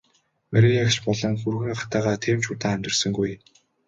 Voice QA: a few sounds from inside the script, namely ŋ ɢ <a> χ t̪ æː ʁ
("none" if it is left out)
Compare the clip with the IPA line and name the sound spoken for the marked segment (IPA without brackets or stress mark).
a